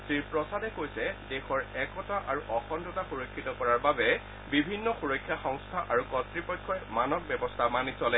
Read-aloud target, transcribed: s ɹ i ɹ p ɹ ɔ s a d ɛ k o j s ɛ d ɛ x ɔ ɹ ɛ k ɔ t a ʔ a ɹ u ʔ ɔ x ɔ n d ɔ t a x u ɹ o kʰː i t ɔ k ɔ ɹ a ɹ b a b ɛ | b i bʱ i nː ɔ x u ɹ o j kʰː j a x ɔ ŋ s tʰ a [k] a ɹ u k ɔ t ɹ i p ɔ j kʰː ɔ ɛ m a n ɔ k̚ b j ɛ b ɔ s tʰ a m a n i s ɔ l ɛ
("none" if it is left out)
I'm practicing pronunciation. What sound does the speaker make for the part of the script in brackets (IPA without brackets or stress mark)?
ʔ